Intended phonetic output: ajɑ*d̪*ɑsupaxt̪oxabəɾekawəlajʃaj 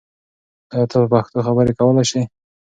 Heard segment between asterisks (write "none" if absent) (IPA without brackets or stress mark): t̪